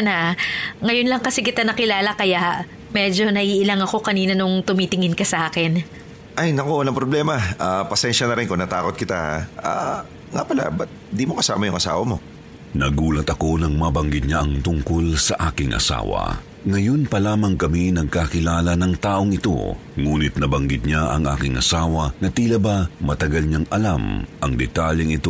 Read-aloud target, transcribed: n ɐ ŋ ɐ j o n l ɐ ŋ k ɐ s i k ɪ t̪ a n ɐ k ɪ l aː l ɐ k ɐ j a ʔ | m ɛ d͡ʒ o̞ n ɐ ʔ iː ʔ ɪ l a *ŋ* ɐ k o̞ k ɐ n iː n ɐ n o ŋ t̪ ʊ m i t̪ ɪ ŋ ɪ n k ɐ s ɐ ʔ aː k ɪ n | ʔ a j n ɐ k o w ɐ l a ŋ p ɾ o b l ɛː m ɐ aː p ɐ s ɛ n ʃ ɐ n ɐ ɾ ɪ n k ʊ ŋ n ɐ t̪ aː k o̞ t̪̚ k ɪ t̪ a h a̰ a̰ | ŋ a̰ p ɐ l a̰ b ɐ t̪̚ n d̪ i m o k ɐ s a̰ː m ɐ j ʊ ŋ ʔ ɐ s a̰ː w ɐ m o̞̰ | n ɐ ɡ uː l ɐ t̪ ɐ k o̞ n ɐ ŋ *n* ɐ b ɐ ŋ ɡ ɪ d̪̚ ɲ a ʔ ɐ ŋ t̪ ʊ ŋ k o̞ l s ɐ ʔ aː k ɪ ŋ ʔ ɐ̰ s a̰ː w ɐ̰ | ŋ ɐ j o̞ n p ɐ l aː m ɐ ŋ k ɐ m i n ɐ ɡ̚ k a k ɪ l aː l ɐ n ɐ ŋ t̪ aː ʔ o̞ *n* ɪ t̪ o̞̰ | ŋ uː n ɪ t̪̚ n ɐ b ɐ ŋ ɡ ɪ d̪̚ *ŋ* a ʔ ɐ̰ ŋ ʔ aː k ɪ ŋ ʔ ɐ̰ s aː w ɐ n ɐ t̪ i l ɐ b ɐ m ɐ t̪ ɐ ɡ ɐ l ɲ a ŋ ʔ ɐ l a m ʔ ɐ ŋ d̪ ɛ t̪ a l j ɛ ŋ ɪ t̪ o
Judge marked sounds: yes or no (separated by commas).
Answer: yes, no, no, no